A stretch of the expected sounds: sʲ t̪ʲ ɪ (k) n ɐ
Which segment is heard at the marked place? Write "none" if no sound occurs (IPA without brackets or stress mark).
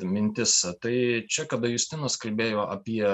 none